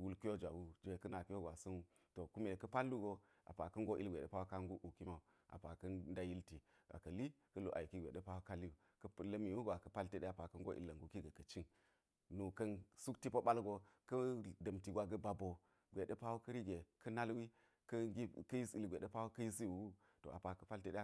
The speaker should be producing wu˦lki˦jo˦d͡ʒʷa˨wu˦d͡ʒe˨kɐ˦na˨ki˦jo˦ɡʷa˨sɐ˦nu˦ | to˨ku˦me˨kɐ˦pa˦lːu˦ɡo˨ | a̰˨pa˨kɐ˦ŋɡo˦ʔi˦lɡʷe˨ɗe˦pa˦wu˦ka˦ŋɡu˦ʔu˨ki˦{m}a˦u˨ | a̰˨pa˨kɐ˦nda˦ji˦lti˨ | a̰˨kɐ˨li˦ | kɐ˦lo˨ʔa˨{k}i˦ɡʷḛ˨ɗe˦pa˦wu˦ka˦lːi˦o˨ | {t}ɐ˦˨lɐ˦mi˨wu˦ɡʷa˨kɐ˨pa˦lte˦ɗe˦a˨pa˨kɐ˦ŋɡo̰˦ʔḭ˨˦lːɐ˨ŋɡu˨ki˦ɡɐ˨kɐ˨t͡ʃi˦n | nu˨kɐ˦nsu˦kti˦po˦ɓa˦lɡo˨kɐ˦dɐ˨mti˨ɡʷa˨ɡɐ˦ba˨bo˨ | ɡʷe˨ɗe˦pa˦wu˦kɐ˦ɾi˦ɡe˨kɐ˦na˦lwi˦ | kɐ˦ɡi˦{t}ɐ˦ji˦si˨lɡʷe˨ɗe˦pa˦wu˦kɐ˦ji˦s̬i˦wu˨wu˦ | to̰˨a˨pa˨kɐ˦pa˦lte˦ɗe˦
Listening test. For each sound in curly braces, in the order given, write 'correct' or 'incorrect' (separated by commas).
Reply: correct, correct, incorrect, incorrect